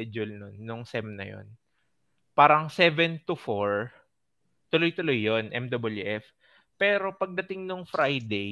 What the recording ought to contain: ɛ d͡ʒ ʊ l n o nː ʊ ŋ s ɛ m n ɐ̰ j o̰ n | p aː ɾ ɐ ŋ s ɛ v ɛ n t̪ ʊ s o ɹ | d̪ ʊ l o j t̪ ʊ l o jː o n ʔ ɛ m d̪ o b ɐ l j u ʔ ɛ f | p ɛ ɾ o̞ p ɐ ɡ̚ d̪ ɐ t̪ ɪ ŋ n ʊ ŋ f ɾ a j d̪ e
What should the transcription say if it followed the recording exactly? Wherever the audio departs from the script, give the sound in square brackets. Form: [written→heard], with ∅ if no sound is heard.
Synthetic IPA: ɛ d͡ʒ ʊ l n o nː ʊ ŋ s ɛ m n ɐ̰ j o̰ n | p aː ɾ ɐ ŋ s ɛ v ɛ n t̪ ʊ [s→f] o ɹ | [d̪→t̪] ʊ l o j t̪ ʊ l o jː o n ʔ ɛ m d̪ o b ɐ l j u ʔ ɛ f | p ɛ ɾ o̞ p ɐ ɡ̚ d̪ ɐ t̪ ɪ ŋ n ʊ ŋ f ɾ a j d̪ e